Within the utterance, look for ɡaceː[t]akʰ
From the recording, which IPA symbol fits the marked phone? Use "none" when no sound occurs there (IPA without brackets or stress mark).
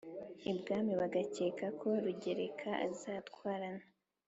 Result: k